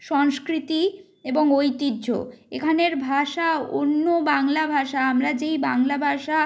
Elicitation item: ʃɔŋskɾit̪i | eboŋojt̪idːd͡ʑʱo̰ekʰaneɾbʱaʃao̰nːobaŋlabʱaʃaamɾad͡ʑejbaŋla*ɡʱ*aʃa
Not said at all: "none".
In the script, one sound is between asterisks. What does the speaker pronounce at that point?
bʱ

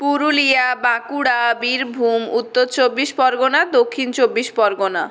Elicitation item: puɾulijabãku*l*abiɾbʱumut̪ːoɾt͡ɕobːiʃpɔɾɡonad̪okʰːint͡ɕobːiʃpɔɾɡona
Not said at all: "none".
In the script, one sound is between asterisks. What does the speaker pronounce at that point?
ɽ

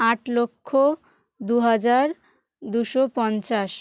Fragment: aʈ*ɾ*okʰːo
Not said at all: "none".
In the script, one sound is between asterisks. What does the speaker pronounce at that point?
l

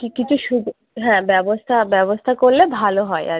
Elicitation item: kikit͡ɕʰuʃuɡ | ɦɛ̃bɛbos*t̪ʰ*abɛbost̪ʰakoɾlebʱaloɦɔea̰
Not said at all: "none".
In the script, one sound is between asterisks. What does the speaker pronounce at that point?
t̪ʰ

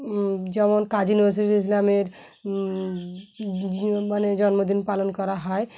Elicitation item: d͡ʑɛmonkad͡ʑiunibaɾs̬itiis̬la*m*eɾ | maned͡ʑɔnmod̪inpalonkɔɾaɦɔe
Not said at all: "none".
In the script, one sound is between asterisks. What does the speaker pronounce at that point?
m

